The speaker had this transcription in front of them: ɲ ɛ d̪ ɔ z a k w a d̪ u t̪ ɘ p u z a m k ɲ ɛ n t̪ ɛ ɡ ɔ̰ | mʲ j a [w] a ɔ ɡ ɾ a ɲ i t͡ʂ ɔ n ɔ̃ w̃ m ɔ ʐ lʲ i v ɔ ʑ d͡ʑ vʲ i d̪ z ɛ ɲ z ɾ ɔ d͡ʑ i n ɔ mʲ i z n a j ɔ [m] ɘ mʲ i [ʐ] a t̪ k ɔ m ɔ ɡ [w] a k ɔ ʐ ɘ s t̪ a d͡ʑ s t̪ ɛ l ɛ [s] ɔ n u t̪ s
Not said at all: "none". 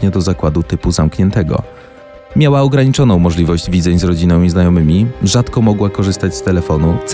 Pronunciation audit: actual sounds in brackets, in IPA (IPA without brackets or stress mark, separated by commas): w, m, ʐ, w, f